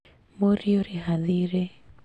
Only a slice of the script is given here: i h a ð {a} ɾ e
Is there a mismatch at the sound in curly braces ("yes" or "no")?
yes